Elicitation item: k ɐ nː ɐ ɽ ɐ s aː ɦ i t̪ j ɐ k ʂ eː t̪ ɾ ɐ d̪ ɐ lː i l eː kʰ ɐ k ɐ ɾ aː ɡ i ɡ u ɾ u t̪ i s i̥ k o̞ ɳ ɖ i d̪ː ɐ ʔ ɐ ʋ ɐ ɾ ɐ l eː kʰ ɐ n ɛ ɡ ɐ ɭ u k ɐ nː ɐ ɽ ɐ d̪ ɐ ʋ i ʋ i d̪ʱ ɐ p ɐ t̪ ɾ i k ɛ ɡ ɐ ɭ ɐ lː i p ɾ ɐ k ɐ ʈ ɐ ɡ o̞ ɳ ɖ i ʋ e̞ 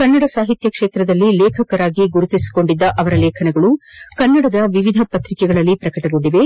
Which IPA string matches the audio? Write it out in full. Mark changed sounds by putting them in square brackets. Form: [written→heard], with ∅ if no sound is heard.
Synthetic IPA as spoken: k ɐ nː ɐ ɽ ɐ s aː ɦ i t̪ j ɐ k ʂ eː t̪ ɾ ɐ d̪ ɐ lː i l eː kʰ ɐ k ɐ ɾ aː ɡ i ɡ u ɾ u t̪ i s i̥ k o̞ ɳ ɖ i d̪ː ɐ ʔ ɐ ʋ ɐ ɾ ɐ l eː kʰ ɐ n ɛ ɡ ɐ ɭ u k ɐ nː ɐ ɽ ɐ d̪ ɐ ʋ i ʋ i d̪ʱ ɐ p ɐ t̪ ɾ i k ɛ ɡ ɐ ɭ ɐ lː i p ɾ ɐ k ɐ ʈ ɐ ɡ o̞ ɳ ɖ i ʋ e̞